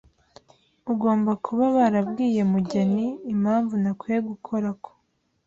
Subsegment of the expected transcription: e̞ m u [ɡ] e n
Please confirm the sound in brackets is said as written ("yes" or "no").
no